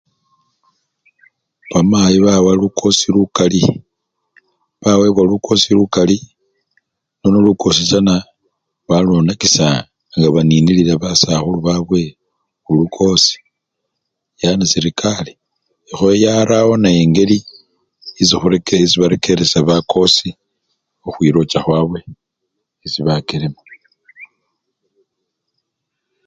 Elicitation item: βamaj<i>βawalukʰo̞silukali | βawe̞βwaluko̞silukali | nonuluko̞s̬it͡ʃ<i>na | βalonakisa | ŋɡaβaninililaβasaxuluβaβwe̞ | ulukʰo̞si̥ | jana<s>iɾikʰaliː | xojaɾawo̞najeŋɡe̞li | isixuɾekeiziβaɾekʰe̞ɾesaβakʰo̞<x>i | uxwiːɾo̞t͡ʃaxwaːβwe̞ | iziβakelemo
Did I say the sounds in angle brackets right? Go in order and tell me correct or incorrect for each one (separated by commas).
correct, incorrect, correct, incorrect